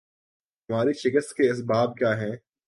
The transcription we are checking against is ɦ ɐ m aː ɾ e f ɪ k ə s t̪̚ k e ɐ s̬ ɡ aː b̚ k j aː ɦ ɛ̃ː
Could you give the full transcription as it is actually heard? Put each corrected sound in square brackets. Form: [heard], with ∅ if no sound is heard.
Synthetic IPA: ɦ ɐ m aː ɾ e [ʃ] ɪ k ə s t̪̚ k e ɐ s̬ [b] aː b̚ k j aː ɦ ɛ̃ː